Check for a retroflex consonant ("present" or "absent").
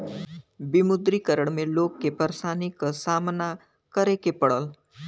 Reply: present